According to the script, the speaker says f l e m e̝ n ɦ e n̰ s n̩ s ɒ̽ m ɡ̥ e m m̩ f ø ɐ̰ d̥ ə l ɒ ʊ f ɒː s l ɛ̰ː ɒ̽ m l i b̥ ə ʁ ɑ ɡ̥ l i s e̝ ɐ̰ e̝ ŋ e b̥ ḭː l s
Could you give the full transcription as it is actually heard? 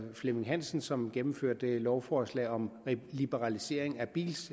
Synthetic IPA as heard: f l e m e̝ ŋ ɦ æ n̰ s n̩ s ɒ̽ m ɡ̥ e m m̩ f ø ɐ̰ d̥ ə l ɒ ʊ f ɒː s l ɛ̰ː ɒ̽ m l i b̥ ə ʁ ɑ l i s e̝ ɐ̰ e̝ ŋ æ b̥ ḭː l s